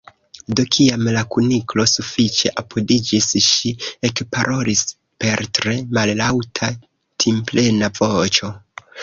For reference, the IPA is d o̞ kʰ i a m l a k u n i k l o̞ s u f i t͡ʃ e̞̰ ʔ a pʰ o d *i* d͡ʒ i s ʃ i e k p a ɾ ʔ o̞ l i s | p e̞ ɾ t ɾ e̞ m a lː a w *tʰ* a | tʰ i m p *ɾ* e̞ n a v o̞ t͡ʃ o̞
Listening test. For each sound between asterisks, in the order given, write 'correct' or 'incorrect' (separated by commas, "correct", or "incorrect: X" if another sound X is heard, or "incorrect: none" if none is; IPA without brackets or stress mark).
correct, correct, incorrect: l